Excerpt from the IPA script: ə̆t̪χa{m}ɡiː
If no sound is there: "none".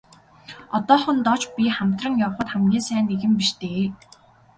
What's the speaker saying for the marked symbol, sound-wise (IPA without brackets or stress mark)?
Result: m